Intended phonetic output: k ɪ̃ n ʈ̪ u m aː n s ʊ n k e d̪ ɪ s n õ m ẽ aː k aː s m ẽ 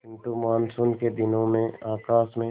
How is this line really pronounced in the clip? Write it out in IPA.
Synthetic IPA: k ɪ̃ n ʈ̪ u m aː n s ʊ n k e d̪ ɪ n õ m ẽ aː k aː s m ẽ